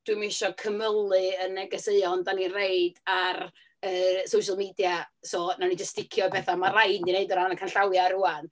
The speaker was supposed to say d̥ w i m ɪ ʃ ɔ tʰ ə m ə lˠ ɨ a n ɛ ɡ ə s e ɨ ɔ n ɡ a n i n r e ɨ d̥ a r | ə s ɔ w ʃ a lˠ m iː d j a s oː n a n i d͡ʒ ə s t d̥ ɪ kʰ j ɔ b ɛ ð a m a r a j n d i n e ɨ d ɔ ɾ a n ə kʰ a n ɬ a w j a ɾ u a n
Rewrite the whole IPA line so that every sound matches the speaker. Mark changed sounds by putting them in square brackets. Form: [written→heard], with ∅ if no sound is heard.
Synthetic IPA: d̥ w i m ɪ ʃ ɔ [tʰ→kʰ] ə m ə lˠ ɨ [a→ə] n ɛ ɡ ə s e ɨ ɔ n [ɡ→d] a n i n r e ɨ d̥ a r | ə s [ɔ→o] w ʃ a lˠ m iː d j a s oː n a n i d͡ʒ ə s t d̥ ɪ kʰ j ɔ b ɛ [ð→θ] a m a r a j n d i n e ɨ d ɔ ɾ a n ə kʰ a n ɬ a w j a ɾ u a n